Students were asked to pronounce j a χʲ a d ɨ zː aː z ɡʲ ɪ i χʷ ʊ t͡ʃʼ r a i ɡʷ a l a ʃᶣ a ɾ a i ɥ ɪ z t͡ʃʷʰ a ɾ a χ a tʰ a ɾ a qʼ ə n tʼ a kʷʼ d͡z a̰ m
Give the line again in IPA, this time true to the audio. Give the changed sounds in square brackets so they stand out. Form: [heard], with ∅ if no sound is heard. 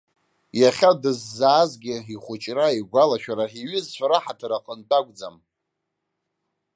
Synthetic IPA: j a χʲ a d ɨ zː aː z ɡʲ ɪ i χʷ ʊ t͡ʃʼ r a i ɡʷ a l a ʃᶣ a ɾ a i ɥ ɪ z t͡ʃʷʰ a ɾ a [ħ] a tʰ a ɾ a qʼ ə n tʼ a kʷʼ d͡z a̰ m